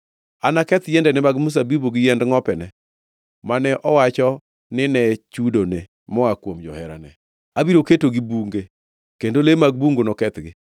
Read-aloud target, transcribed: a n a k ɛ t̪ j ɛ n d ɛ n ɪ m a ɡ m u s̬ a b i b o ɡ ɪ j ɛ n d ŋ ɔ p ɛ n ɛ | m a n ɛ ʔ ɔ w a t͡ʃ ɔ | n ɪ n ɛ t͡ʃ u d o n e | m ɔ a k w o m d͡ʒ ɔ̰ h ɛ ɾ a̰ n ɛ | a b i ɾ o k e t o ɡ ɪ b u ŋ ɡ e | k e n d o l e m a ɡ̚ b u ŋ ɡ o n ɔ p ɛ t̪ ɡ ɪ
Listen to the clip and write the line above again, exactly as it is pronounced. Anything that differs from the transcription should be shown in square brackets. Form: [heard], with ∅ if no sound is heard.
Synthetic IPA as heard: a n a k ɛ t̪ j ɛ n d ɛ n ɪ m a ɡ m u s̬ a b i b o ɡ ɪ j ɛ n d ŋ ɔ p ɛ n ɛ | m a n ɛ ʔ ɔ w a t͡ʃ ɔ | n ɪ n ɛ t͡ʃ u d o n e | m ɔ a k w o m d͡ʒ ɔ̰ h ɛ ɾ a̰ n ɛ | a b i ɾ o k e t o ɡ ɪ b u ŋ ɡ e | k e n d o l e m a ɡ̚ b u ŋ ɡ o n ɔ [k] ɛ t̪ ɡ ɪ